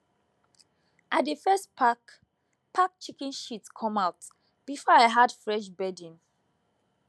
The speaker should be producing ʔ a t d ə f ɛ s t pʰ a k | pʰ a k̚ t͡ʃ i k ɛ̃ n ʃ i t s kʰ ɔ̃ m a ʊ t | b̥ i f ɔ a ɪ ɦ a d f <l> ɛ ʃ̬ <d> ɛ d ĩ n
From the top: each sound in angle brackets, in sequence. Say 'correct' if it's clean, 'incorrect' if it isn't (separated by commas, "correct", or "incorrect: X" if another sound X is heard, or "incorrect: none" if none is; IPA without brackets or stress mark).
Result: incorrect: ɹ, incorrect: b